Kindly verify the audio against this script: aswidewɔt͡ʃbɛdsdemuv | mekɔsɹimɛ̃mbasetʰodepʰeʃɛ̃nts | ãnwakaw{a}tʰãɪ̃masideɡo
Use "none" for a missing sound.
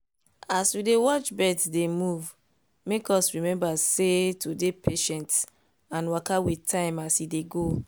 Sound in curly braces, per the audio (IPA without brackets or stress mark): i